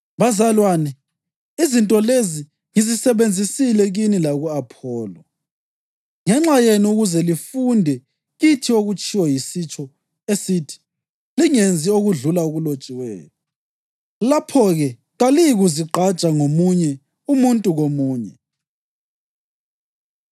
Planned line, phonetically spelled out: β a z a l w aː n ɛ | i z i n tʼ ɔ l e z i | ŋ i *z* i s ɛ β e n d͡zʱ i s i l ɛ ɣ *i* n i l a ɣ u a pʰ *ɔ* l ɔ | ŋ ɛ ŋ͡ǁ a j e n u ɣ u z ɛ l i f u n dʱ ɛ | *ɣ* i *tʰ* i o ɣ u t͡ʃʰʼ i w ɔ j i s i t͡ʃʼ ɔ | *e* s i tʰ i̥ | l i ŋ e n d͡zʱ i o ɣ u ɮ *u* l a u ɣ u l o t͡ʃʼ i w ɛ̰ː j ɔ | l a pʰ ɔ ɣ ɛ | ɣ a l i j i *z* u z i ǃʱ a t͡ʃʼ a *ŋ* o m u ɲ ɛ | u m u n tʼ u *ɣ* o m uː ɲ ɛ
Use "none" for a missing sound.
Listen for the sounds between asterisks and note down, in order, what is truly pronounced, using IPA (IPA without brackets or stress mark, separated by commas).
z, i, ɔː, ɣ, tʰ, e, u, ɣ, ŋ, ɣ